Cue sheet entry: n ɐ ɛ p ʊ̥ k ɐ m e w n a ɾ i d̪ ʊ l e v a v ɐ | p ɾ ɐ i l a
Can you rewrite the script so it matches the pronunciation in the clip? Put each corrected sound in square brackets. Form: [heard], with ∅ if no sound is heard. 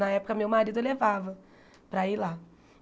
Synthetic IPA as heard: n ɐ ɛ p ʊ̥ k ɐ m e w [m] a ɾ i d̪ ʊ l e v a v ɐ | p ɾ ɐ i l a